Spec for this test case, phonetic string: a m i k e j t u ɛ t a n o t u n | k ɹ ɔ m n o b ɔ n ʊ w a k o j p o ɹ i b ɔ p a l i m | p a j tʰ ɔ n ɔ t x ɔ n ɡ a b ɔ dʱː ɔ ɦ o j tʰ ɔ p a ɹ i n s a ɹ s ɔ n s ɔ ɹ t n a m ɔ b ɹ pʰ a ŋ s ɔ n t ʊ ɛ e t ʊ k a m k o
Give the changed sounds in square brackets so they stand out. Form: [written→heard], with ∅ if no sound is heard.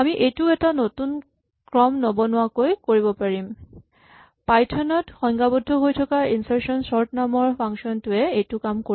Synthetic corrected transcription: a m i [k→ʔ] e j t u ɛ t a n o t u n | k ɹ ɔ m n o b ɔ n ʊ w a k o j [p→k] o ɹ i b ɔ p a [l→ɹ] i m | p a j tʰ ɔ n ɔ t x ɔ [n→ŋ] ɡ a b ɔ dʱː ɔ ɦ o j tʰ ɔ [p→k] a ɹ i n s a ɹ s ɔ n s ɔ ɹ t n a m ɔ [b→∅] ɹ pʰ a ŋ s ɔ n t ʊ ɛ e t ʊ k a m k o